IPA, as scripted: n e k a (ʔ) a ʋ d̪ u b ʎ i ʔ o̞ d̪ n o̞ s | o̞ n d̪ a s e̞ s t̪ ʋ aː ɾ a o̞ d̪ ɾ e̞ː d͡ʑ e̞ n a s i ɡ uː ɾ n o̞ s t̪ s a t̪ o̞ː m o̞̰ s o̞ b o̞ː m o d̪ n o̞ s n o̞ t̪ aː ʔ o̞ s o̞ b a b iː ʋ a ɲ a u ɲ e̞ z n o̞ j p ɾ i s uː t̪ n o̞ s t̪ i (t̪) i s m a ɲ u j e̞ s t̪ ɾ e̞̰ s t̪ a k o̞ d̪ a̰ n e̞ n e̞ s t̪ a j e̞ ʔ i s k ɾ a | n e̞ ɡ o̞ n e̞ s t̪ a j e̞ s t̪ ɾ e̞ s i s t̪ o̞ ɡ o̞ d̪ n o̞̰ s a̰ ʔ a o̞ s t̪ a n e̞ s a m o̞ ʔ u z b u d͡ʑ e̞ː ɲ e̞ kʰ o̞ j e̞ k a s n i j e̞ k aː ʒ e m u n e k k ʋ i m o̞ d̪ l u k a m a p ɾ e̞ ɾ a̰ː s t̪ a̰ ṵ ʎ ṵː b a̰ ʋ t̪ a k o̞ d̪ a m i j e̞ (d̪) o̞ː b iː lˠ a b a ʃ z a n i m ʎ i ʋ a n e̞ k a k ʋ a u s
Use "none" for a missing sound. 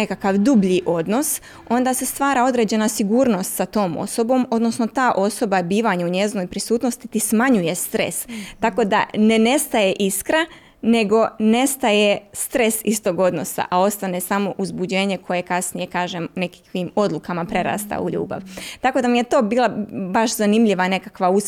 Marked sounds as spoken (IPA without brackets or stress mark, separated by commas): k, t̪, t̪